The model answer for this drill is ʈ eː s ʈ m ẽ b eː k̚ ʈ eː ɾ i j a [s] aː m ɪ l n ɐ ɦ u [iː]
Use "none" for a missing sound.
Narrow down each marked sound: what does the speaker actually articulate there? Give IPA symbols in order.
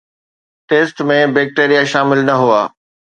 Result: ʃ, aː

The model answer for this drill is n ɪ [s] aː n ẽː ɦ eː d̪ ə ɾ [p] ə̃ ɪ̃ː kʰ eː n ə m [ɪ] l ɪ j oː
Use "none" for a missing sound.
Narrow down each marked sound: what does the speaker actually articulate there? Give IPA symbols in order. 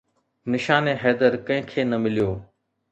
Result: ʃ, k, ɪ

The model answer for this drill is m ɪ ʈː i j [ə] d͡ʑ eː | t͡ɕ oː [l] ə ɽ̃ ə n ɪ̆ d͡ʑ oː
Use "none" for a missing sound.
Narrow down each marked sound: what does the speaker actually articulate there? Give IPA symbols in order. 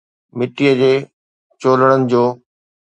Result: ə, l

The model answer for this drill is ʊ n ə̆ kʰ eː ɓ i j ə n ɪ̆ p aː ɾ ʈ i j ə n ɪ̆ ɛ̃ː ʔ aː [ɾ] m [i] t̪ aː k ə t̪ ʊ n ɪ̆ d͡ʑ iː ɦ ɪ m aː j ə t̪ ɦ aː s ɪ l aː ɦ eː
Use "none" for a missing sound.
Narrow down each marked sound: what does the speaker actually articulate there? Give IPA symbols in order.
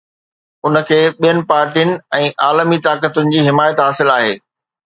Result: l, i

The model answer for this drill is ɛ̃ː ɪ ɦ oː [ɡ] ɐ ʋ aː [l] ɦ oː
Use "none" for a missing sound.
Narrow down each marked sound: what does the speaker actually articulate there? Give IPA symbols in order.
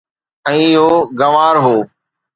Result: ɡ, ɾ

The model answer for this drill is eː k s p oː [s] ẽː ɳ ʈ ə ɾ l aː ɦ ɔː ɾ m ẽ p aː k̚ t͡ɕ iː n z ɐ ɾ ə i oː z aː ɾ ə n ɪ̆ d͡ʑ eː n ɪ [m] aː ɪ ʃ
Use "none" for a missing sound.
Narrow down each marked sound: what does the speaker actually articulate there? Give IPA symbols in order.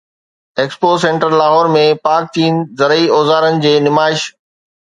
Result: s, m

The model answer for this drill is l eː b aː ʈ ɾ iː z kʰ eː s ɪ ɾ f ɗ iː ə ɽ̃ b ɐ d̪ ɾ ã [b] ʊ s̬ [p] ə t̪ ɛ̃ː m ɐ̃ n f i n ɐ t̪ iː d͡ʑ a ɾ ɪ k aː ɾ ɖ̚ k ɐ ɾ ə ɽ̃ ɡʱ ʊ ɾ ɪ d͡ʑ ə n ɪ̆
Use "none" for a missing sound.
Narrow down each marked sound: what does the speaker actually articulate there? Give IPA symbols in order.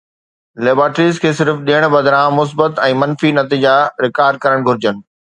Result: m, b

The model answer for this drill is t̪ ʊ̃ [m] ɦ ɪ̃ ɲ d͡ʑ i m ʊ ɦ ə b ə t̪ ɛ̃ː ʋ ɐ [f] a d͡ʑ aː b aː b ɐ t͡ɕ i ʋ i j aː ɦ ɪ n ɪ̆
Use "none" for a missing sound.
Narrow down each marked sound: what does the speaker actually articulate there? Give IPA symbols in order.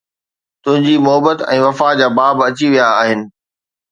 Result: none, f

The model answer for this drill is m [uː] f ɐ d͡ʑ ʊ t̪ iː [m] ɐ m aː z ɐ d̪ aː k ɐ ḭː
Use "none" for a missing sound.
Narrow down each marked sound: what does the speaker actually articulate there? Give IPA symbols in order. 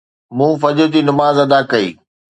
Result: ũː, n

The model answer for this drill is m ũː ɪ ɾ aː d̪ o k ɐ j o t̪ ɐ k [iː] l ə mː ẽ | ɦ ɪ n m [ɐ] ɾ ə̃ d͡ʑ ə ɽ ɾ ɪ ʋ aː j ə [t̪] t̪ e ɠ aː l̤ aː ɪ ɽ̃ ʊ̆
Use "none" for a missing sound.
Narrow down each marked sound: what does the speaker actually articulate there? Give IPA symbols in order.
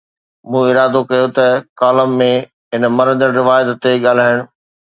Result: aː, ɐ, t̪

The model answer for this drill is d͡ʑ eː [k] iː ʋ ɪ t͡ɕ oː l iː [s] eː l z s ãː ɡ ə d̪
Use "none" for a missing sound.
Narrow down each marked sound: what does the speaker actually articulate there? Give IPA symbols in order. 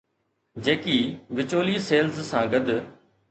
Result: k, s

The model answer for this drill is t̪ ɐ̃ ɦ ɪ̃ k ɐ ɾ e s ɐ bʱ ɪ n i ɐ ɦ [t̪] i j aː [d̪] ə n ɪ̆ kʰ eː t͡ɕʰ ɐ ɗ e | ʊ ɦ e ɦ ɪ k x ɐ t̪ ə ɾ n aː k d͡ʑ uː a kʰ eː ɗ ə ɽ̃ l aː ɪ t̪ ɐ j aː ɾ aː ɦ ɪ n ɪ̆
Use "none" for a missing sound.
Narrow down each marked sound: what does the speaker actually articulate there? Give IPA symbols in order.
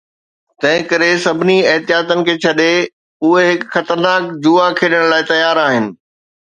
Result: t̪, t̪

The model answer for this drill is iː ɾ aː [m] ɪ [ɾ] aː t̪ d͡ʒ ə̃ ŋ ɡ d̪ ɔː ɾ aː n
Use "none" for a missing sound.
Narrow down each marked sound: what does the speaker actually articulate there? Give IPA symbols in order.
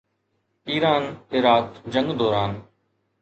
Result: n, ɾ

